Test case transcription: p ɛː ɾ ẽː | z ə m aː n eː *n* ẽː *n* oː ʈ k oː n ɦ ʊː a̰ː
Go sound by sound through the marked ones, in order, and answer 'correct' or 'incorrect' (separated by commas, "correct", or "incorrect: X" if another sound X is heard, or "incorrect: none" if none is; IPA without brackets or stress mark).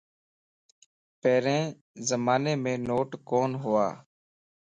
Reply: incorrect: m, correct